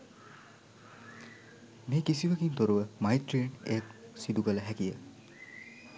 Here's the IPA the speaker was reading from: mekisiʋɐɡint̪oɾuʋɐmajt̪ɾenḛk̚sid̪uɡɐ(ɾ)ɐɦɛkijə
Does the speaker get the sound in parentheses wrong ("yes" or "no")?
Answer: yes